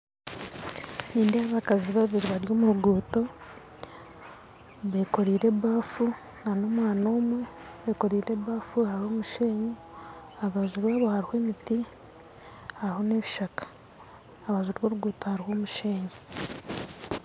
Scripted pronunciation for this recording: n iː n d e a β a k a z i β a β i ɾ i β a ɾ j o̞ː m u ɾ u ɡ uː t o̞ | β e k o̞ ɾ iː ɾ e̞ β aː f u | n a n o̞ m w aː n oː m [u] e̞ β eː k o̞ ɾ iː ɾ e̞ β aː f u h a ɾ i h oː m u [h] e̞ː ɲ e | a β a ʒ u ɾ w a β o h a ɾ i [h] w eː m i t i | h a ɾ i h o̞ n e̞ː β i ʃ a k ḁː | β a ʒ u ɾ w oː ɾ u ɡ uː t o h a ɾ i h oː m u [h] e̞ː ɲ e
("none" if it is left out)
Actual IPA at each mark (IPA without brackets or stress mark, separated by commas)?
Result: w, ʃ, h, ʃ